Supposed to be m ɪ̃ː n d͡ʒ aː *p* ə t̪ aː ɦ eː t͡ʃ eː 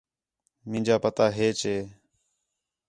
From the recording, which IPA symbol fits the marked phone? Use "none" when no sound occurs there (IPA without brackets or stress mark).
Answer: p